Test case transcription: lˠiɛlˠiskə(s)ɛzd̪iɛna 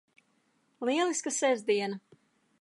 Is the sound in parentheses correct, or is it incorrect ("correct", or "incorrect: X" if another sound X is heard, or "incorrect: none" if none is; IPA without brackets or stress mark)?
correct